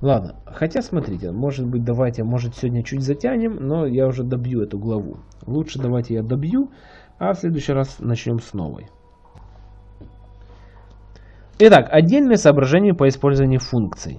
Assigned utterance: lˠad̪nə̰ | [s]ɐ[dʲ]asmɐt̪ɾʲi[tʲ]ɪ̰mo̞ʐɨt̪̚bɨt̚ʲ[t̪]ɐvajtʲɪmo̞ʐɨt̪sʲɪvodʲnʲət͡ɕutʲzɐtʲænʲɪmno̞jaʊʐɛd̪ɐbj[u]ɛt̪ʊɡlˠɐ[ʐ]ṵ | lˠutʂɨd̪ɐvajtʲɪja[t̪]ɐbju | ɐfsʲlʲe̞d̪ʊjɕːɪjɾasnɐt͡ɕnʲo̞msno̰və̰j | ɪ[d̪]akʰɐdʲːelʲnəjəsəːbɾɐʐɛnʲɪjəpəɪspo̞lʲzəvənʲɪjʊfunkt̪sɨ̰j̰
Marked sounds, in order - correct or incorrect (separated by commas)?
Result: incorrect, incorrect, correct, incorrect, correct, incorrect, incorrect, incorrect